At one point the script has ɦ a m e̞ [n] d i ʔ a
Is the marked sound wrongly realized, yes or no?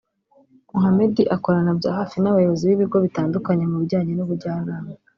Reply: yes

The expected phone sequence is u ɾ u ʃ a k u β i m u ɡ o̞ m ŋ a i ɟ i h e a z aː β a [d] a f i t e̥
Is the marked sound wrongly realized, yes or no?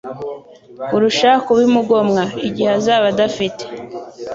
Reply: no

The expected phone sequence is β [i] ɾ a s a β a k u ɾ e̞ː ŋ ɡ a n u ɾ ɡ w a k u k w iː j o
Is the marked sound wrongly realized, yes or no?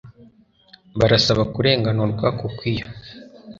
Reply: yes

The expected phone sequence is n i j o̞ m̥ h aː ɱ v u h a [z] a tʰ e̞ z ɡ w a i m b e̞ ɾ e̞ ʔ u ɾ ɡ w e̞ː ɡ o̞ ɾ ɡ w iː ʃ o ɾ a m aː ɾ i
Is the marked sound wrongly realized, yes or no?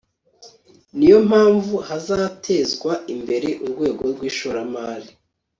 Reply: no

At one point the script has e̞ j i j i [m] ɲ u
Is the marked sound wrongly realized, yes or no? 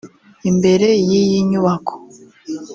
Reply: yes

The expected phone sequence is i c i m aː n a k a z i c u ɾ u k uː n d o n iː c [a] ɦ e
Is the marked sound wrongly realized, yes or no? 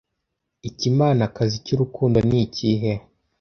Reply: yes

